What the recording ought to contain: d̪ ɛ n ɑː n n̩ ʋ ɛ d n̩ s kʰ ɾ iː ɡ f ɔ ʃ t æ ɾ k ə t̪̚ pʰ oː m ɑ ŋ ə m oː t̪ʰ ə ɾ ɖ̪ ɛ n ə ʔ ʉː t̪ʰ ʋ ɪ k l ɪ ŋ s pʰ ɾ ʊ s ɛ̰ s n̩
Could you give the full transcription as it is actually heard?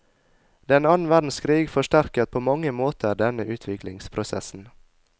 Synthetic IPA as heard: d̪ ɛ n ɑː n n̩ ʋ æ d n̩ s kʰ ɾ iː ɡ f ɔ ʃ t æ ɾ k ə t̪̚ pʰ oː m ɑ ŋ ə m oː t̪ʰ ə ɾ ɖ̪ ɛ n ə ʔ ʉː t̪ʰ ʋ ɪ k l ɪ ŋ s pʰ ɾ ʊ s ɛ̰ s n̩